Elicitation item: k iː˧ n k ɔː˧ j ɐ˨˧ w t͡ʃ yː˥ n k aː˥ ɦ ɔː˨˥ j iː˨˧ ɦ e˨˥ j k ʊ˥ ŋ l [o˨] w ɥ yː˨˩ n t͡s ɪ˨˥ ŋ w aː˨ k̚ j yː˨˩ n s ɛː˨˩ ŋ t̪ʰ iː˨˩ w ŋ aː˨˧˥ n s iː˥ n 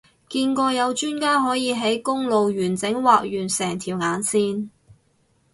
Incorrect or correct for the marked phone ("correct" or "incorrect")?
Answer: correct